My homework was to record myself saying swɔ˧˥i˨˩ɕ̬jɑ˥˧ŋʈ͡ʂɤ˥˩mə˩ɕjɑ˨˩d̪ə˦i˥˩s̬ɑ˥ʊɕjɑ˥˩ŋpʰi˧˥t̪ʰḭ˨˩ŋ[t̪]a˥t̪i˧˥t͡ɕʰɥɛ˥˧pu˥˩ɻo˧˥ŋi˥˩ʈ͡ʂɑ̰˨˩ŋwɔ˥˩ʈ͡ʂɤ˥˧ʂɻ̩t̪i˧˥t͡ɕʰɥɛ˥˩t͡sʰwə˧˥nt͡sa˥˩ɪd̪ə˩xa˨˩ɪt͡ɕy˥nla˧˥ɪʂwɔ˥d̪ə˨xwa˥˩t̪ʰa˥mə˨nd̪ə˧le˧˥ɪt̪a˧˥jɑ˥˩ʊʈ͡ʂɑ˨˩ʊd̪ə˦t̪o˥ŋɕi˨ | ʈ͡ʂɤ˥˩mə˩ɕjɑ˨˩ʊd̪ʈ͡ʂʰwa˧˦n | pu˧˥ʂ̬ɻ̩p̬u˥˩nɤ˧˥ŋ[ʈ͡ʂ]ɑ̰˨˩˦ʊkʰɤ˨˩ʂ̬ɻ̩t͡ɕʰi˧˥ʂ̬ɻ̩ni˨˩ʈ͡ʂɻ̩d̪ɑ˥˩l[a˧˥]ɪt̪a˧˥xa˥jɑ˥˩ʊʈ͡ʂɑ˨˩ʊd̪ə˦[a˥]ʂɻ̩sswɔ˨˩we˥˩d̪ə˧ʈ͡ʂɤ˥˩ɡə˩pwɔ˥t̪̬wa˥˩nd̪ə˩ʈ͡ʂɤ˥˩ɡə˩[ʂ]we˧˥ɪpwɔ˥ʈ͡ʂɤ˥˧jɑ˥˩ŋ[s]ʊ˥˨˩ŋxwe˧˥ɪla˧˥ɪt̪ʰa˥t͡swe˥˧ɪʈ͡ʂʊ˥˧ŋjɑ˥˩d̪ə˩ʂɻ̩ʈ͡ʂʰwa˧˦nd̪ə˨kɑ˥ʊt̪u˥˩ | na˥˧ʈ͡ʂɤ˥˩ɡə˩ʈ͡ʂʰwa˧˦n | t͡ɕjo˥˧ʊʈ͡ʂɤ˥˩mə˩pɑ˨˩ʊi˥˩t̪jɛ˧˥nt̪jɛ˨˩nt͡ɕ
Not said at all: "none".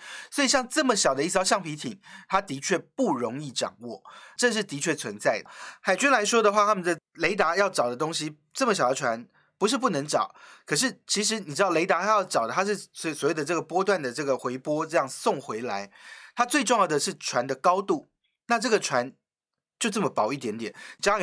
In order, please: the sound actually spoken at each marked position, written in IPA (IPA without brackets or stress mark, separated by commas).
t̪ʰ, ʈ͡ʂ, e˧˥, a˥, x, s